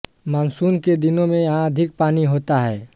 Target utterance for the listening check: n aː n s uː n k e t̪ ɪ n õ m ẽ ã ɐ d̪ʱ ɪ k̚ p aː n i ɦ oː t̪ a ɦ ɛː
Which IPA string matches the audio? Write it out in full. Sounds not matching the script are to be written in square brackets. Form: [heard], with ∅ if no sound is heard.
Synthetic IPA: [m] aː n s uː n k e [d̪] ɪ n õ m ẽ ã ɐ d̪ʱ ɪ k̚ p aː n i ɦ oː t̪ a ɦ ɛː